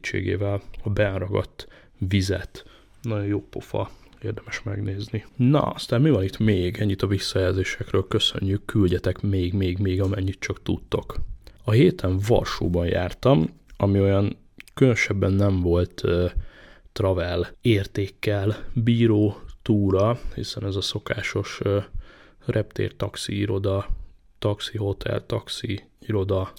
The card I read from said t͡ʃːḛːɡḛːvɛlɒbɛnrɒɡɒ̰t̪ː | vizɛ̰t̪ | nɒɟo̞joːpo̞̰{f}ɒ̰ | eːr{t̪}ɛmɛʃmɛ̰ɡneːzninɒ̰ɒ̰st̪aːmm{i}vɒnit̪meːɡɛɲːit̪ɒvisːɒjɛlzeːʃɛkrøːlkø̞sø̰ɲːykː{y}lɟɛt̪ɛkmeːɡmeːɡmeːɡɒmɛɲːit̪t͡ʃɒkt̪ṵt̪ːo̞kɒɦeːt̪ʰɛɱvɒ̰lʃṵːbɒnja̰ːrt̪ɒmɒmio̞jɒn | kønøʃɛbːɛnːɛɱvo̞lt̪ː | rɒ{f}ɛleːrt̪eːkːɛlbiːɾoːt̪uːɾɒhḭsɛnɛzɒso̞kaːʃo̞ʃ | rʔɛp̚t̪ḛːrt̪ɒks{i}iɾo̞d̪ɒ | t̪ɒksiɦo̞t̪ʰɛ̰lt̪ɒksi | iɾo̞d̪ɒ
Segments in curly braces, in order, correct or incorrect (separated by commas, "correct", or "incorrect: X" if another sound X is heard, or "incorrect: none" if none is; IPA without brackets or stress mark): correct, incorrect: d̪, correct, correct, incorrect: v, correct